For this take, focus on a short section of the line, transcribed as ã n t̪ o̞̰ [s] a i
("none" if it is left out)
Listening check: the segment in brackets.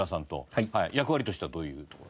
h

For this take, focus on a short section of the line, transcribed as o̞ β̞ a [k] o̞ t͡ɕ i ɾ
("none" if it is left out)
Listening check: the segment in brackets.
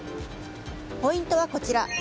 k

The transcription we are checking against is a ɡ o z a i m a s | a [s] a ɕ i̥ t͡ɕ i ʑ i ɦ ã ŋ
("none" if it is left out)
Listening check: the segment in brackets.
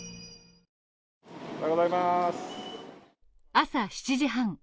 s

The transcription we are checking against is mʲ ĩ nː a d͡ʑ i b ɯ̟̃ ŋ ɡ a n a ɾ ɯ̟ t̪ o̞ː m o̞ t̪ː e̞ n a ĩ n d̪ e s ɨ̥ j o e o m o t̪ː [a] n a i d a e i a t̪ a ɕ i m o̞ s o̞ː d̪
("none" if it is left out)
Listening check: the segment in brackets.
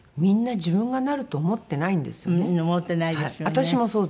e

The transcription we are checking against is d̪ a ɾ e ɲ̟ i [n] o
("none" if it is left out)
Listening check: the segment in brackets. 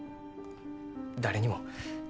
m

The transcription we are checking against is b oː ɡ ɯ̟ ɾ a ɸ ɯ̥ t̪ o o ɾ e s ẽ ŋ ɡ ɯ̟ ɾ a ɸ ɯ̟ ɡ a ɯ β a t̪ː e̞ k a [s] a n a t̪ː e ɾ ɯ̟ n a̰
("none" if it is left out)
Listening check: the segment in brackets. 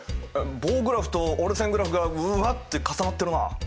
s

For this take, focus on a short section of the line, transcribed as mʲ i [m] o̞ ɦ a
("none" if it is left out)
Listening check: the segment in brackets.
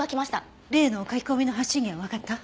n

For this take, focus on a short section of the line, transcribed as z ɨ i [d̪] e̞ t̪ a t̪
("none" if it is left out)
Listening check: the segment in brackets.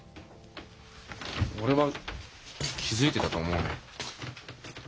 t̪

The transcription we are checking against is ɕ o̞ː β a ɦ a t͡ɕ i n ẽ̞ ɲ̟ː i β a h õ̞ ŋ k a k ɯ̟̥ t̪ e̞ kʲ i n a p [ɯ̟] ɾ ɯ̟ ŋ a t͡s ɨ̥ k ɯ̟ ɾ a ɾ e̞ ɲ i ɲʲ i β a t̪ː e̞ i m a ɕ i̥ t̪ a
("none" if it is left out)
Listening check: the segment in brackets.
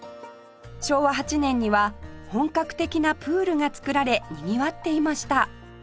ɯ̟ː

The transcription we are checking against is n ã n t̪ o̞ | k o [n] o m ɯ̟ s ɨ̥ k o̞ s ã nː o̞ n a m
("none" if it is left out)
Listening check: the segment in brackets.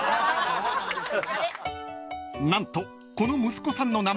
n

